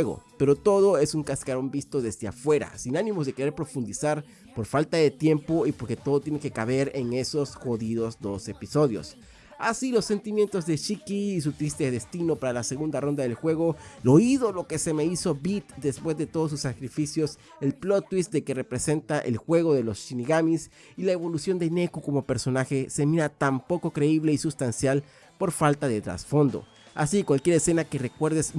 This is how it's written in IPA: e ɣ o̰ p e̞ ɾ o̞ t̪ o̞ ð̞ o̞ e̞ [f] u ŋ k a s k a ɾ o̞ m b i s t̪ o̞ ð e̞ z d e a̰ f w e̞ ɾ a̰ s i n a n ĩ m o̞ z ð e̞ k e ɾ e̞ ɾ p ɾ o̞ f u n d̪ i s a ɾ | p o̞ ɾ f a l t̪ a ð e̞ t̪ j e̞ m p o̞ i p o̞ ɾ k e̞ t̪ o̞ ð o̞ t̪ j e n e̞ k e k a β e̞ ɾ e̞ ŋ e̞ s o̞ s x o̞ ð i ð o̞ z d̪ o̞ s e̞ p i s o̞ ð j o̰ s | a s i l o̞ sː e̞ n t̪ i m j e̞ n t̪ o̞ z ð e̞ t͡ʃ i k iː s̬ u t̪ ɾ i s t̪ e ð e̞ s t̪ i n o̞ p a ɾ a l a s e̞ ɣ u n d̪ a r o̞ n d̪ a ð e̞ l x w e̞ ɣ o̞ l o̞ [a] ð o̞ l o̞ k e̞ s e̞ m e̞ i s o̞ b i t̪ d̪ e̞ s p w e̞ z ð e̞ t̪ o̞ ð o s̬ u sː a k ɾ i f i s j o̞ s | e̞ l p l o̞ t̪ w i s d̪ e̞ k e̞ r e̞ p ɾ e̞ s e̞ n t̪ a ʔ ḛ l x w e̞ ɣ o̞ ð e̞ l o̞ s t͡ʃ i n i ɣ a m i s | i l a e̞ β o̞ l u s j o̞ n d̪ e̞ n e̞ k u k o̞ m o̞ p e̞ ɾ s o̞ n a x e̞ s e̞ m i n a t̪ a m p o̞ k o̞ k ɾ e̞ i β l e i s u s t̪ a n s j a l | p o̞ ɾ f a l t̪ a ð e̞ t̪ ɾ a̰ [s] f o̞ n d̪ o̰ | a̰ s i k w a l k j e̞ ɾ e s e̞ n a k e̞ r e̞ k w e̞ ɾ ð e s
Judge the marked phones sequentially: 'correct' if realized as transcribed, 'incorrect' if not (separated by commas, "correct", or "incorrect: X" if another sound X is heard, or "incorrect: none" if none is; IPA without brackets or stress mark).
incorrect: s, incorrect: i, correct